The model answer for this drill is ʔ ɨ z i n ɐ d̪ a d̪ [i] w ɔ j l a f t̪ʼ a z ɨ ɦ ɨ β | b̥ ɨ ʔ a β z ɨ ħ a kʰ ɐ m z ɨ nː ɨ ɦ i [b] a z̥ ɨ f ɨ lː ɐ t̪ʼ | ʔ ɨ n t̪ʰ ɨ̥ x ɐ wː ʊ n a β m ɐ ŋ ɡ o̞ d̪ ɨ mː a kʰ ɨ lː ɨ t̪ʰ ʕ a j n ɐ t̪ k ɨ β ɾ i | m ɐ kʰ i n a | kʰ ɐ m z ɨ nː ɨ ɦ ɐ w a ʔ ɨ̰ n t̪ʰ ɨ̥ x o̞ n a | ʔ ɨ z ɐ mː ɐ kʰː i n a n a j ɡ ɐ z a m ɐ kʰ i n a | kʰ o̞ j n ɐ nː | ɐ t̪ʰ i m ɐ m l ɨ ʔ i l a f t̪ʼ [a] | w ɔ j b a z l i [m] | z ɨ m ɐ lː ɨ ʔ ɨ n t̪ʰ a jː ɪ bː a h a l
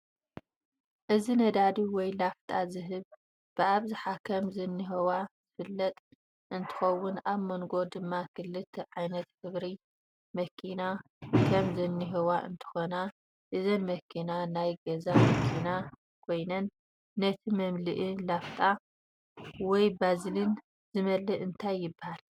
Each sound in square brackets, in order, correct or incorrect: correct, incorrect: w, correct, incorrect: n

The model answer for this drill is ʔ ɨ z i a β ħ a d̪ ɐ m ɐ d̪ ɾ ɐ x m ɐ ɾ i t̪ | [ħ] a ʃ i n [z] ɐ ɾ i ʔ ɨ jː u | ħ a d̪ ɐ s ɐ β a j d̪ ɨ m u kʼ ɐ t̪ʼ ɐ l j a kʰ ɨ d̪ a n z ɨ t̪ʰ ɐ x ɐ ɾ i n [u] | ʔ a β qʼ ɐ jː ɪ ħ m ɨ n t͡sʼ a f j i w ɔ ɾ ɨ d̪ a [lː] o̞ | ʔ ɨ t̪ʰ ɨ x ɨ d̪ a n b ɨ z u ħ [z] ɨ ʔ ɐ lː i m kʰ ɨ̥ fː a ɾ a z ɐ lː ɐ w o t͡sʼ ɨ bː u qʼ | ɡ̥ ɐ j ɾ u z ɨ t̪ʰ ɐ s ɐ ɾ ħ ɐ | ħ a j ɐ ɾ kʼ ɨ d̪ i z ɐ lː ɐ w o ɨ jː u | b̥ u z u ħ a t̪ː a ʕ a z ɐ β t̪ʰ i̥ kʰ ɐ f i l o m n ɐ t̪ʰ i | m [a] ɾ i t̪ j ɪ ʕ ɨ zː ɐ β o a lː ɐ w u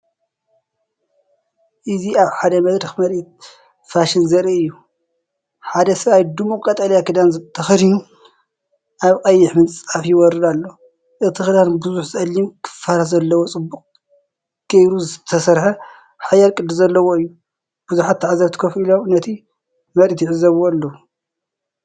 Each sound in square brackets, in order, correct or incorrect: incorrect: f, correct, correct, correct, correct, incorrect: ɐ

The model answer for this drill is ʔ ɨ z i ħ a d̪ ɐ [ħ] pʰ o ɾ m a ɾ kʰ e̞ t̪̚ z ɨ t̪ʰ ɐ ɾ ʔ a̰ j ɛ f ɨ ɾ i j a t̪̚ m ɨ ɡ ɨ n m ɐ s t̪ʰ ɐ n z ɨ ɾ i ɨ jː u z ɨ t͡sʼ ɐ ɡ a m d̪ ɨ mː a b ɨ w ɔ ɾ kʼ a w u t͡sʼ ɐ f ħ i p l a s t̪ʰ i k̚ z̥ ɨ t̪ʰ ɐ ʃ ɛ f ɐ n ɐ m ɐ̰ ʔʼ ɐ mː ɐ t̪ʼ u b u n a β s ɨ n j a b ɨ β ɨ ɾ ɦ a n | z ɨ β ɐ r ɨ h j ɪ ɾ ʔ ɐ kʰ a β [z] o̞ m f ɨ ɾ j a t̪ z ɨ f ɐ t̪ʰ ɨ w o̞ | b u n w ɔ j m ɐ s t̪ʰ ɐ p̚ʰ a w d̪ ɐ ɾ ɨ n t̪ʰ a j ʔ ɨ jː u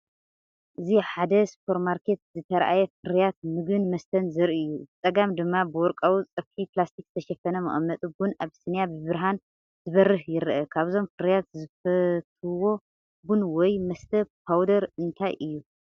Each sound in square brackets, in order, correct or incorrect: incorrect: s, correct

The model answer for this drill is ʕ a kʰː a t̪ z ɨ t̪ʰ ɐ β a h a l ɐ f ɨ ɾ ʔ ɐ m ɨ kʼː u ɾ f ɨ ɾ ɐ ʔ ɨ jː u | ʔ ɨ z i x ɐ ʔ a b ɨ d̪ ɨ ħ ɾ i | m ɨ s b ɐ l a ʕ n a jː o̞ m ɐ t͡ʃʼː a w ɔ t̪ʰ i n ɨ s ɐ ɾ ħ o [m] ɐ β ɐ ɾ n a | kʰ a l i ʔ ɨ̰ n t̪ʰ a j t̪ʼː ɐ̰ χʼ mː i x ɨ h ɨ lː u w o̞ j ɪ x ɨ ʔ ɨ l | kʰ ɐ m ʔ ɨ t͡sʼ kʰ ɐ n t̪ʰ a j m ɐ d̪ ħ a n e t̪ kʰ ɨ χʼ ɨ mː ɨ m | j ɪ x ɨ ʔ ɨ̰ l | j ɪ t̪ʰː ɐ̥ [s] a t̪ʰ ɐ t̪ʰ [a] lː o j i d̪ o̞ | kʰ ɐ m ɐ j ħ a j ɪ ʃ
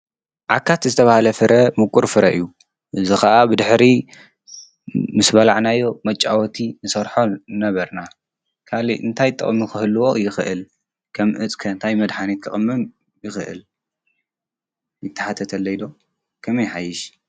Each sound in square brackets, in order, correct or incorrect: incorrect: n, incorrect: ħ, incorrect: ɐ

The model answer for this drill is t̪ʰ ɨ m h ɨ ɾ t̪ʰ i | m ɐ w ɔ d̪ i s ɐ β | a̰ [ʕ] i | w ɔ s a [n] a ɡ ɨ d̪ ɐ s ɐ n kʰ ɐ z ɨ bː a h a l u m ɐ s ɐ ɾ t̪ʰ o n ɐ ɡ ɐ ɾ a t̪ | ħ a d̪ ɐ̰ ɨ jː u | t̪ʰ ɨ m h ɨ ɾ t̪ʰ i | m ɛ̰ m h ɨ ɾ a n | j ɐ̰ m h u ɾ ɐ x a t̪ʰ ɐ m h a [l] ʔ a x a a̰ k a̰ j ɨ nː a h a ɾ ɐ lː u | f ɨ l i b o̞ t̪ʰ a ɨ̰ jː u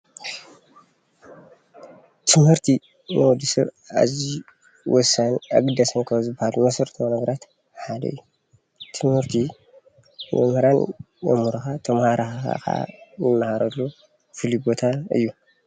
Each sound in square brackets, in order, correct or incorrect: incorrect: z, correct, incorrect: ɾ

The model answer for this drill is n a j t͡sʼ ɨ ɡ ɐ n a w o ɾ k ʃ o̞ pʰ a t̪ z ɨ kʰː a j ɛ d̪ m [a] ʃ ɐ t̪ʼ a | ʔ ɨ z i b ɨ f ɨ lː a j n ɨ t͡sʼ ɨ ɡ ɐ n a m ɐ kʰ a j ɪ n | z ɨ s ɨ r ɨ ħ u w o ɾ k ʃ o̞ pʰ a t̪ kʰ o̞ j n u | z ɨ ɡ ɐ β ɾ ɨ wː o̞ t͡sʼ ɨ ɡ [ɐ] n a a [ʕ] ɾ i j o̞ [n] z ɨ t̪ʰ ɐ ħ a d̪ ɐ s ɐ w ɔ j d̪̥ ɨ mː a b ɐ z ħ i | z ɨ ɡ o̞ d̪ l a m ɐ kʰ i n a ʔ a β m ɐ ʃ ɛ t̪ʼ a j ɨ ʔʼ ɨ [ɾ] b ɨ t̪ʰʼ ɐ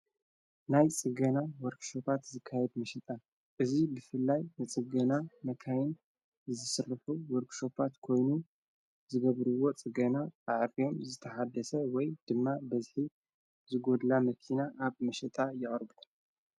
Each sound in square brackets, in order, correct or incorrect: incorrect: ɐ, correct, correct, incorrect: m, correct

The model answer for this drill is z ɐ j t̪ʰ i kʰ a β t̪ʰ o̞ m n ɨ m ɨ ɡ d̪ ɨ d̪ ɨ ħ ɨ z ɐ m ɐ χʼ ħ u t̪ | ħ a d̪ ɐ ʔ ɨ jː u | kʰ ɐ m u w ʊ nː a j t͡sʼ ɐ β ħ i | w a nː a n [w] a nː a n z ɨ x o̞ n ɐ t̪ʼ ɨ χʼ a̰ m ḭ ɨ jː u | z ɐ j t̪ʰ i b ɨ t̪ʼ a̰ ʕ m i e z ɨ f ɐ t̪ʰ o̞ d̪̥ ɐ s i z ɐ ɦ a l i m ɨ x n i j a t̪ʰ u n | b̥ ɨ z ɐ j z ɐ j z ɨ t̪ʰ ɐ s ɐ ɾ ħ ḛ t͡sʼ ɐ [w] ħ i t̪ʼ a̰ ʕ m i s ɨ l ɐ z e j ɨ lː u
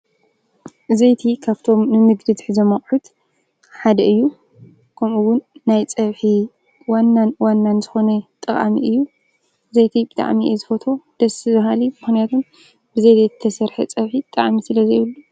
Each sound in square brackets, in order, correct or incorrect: correct, incorrect: β

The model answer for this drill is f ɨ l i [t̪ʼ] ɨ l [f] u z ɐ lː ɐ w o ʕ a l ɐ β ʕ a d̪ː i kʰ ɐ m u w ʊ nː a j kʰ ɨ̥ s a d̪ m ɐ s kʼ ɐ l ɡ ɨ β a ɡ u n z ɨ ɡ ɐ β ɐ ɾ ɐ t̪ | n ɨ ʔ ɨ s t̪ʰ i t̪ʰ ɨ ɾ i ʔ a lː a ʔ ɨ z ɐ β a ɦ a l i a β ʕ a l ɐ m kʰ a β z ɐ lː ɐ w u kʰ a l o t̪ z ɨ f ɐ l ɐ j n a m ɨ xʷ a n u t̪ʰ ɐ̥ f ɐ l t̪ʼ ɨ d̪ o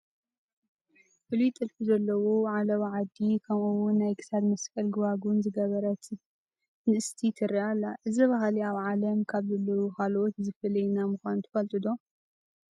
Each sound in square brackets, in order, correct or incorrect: correct, correct

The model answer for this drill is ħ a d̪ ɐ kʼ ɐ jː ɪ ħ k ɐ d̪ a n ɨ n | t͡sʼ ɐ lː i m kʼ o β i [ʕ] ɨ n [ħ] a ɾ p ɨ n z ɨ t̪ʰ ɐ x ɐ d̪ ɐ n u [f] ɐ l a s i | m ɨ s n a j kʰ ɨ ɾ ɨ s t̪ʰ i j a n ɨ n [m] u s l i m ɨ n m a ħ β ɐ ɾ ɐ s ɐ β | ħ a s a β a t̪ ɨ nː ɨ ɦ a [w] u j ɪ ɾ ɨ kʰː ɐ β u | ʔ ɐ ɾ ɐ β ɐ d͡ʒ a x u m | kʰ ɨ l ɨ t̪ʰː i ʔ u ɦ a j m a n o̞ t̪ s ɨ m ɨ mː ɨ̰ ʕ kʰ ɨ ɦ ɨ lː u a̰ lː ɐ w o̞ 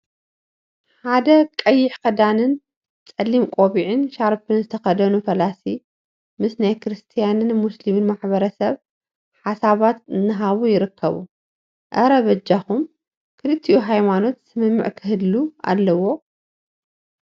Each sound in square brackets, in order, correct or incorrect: correct, incorrect: ʃ, correct, correct, incorrect: β

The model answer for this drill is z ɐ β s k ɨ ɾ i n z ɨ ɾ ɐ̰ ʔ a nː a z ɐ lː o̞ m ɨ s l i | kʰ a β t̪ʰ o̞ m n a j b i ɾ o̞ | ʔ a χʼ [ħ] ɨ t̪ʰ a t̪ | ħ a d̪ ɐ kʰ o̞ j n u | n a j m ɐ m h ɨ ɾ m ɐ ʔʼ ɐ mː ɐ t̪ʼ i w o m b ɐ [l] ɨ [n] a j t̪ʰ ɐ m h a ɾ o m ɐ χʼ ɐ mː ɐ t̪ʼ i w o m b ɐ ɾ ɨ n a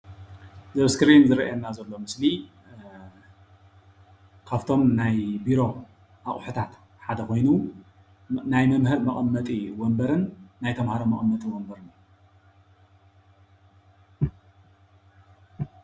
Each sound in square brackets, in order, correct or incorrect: correct, incorrect: ɾ, incorrect: nː

